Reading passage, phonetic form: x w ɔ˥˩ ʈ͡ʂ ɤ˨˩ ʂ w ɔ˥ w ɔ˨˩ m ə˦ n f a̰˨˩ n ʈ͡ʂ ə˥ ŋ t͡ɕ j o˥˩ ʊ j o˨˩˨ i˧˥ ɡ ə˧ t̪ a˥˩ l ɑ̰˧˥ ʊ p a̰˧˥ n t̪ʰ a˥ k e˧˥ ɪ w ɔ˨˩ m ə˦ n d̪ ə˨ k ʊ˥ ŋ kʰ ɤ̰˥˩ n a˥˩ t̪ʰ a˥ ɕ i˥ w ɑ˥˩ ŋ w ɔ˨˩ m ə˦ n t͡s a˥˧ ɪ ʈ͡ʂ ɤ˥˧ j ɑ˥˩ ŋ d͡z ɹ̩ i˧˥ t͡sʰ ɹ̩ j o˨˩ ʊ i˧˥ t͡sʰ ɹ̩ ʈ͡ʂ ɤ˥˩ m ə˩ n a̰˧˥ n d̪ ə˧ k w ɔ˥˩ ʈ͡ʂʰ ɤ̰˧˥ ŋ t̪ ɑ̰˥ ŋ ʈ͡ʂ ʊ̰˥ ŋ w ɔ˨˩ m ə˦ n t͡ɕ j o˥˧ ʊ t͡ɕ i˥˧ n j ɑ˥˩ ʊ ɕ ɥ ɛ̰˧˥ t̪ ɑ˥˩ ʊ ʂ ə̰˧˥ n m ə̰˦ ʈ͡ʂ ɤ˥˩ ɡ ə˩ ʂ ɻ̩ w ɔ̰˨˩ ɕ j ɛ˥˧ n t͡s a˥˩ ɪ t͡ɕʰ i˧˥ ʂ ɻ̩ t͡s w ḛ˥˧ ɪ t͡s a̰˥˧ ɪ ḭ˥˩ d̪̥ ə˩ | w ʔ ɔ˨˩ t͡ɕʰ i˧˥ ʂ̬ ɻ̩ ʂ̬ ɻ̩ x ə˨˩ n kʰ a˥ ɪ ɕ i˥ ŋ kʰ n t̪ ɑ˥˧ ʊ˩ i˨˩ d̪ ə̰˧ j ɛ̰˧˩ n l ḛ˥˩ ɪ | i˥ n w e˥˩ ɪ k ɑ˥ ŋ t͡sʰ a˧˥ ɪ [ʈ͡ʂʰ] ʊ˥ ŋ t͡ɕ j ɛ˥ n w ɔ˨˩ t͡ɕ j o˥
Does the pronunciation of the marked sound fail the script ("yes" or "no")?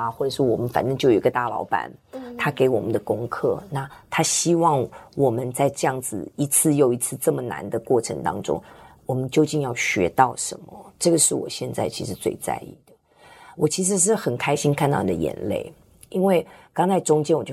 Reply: yes